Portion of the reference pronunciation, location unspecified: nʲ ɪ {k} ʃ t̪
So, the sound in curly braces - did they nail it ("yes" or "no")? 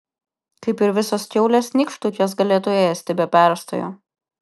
yes